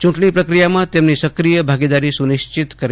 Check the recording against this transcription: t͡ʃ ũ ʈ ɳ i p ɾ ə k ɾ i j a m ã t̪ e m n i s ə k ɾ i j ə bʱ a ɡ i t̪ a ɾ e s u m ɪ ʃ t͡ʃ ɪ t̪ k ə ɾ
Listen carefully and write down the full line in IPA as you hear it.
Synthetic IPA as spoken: t͡ʃ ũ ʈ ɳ i p ɾ ə k ɾ i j a m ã t̪ e m n i s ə k ɾ i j ə bʱ a ɡ i d̪ a ɾ i s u n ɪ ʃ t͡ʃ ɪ t̪ k ə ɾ

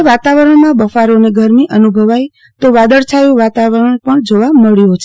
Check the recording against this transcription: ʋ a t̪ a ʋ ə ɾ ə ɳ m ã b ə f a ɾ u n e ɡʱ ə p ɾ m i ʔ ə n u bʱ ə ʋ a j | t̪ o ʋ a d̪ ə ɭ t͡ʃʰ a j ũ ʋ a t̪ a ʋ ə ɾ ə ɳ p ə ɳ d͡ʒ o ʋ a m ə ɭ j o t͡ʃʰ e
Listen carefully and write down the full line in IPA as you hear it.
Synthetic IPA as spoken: ʋ a t̪ a ʋ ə ɾ ə ɳ m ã b ə f a ɾ o n e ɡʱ ə ɾ m i ʔ ə n u bʱ ə ʋ a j | t̪ o ʋ a d̪ ə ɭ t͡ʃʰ a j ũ ʋ a t̪ a ʋ ə ɾ ə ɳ p ə ɳ d͡ʒ o ʋ a m ə ɭ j o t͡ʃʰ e

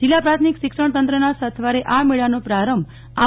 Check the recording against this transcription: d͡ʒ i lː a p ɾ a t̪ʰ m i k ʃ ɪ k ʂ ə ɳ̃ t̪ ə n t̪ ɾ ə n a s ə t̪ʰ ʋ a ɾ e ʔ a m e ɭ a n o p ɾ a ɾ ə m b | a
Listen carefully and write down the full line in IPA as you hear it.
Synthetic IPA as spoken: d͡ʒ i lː a p ɾ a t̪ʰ m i k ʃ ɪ k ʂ ə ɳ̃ t̪ ə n t̪ ɾ ə n a s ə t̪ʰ ʋ a ɾ e ʔ a m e ɭ a n o p ɾ a ɾ ə m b | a

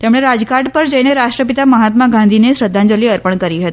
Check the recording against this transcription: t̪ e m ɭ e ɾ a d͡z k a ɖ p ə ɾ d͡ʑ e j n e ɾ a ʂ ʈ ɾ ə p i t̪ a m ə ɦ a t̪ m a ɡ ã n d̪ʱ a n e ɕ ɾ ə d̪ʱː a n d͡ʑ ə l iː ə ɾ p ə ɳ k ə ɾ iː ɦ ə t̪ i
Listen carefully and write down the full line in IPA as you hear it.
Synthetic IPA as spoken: t̪ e m ɭ e ɾ a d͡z k a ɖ p ə ɾ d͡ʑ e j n e ɾ a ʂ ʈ ɾ ə p i t̪ a m ə ɦ a t̪ m a ɡ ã n d̪ʱ i n e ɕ ɾ ə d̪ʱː a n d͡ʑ ə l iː ə ɾ p ə ɳ k ə ɾ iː ɦ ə t̪ i

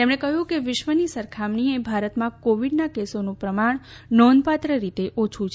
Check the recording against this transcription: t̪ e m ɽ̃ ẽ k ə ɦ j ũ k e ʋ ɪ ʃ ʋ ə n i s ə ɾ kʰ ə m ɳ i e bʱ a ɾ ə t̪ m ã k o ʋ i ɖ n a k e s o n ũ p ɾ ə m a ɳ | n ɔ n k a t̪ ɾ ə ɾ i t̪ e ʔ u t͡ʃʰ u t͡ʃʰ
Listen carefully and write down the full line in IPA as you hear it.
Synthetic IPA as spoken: t̪ e m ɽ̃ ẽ k ə ɦ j ũ k e ʋ ɪ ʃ ʋ ə n i s ə ɾ kʰ a m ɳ i e bʱ a ɾ ə t̪ m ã k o ʋ i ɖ n a k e s o n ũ p ɾ ə m a ɳ | n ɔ n p a t̪ ɾ ə ɾ i t̪ e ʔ o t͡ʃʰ u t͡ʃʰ

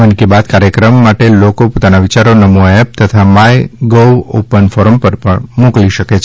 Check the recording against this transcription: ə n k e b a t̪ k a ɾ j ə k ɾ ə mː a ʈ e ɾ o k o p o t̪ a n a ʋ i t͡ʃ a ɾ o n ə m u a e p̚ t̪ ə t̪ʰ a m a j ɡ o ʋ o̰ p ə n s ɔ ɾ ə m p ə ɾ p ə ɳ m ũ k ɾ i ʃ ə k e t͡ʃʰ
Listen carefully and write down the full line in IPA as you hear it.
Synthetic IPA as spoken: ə n k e b a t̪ k a ɾ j ə k ɾ ə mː a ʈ e l o k o p o t̪ a n a ʋ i t͡ʃ a ɾ o n ə m u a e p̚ t̪ ə t̪ʰ a m a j ɡ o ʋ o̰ p ə n f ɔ ɾ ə m p ə ɾ p ə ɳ m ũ k l i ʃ ə k e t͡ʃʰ

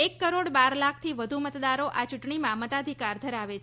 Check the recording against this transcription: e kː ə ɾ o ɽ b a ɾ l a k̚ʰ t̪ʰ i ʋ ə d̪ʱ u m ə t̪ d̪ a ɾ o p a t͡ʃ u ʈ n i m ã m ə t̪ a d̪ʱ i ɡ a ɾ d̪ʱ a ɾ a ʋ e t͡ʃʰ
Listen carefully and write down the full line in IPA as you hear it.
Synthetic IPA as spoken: e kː ə ɾ o ɽ b a ɾ l a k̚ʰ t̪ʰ i ʋ ə d̪ʱ u m ə t̪ d̪ a ɾ o ʔ a t͡ʃ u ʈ ɳ i m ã m ə t̪ a d̪ʱ i k a ɾ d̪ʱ ə ɾ a ʋ e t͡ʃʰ

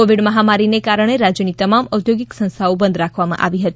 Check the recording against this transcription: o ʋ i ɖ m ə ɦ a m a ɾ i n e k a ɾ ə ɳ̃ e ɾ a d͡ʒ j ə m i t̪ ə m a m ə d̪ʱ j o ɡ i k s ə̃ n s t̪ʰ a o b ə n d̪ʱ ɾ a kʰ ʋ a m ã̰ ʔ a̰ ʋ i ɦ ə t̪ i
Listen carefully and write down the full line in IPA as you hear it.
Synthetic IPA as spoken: o ʋ i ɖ m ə ɦ a m a ɾ i n e k a ɾ ə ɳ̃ e ɾ a d͡ʒ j ə n i t̪ ə m a m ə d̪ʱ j o ɡ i k s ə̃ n s t̪ʰ a o b ə n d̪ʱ ɾ a kʰ ʋ a m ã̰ ʔ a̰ ʋ i ɦ ə t̪ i

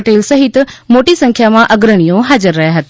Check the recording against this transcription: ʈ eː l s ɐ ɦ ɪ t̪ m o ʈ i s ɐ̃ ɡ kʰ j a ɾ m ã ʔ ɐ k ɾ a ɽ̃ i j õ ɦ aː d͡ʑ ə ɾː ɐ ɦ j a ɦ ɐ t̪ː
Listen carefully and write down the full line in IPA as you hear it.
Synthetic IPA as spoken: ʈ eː l s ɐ ɦ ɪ t̪ m o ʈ i s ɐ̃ ŋ kʰ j a m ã ʔ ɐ ɡ ɾ ə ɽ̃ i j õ ɦ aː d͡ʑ ə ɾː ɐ ɦ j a ɦ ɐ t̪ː

